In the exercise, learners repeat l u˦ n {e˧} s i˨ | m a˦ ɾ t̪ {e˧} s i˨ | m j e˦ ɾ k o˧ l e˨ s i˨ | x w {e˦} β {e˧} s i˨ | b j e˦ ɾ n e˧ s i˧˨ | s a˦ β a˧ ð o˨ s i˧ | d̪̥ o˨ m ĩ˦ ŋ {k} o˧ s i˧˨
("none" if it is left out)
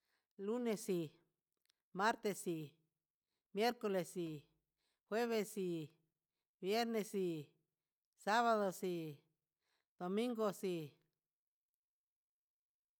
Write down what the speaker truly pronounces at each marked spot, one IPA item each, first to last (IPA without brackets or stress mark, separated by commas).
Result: e˧, e˧, e˦, e˧, ɡ